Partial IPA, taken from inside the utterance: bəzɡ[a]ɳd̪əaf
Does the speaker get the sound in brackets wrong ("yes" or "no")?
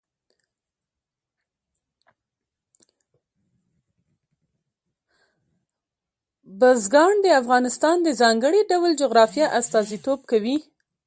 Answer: yes